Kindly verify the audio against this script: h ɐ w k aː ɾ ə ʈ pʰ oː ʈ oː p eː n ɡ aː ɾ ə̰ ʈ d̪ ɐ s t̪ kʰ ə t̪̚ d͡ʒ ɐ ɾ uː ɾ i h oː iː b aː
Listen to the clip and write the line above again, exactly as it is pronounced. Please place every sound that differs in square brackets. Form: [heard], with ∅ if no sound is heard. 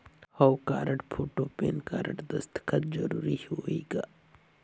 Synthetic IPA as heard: h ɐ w k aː ɾ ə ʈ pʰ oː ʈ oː p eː n [k] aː ɾ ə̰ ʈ d̪ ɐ s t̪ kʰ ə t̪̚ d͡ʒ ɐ ɾ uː ɾ i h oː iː [ɡ] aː